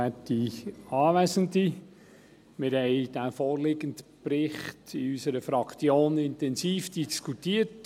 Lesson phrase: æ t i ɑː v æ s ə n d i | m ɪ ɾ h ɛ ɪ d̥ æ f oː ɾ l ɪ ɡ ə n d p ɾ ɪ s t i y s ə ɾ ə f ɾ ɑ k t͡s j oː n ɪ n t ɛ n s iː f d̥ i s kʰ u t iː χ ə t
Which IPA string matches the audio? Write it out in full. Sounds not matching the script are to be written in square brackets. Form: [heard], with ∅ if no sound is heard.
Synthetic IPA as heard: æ t i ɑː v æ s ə n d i | m ɪ ɾ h ɛ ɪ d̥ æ f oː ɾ l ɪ ɡ ə n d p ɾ ɪ [χ] t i y s ə ɾ ə f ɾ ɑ k t͡s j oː n ɪ n t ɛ n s iː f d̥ i s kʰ u t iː [∅] ə t